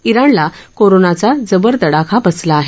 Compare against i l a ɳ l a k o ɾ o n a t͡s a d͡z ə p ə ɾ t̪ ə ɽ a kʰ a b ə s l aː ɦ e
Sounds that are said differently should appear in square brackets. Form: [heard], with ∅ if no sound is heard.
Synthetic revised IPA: i [ɾ] a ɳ l a k o ɾ o n a t͡s a d͡z ə [b] ə ɾ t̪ ə ɽ a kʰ a b ə s l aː ɦ e